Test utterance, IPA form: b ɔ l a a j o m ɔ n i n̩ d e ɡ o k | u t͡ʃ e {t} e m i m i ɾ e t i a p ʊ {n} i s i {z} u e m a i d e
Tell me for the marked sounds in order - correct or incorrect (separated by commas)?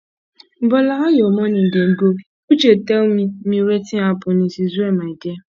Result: correct, correct, correct